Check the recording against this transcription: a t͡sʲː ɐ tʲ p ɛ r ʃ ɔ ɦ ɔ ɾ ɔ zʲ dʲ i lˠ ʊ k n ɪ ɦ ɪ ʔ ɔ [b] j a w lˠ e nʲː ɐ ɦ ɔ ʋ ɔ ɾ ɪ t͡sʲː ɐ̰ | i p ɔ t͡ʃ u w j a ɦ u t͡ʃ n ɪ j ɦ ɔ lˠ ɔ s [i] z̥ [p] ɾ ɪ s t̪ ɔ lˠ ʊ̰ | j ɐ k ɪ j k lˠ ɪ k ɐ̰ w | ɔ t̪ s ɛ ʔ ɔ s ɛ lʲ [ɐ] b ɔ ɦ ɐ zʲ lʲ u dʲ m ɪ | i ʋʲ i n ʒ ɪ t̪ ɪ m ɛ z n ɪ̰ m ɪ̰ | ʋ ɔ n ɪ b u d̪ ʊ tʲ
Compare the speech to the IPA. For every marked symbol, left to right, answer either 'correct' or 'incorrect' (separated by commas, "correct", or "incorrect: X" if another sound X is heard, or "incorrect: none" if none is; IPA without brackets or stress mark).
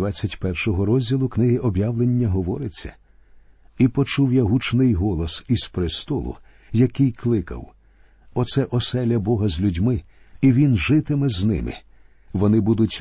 correct, correct, correct, correct